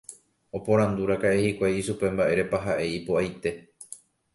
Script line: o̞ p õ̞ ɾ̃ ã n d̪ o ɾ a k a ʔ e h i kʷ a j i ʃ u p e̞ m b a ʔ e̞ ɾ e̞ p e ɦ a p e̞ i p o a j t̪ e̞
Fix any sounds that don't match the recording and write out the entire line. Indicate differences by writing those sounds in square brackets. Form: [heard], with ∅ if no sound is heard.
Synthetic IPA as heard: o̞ p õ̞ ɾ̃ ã n d̪ [u] ɾ a k a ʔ e h i kʷ a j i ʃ u p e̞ m b a ʔ e̞ ɾ e̞ p [a] ɦ a [ʔ] e̞ i p o a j t̪ e̞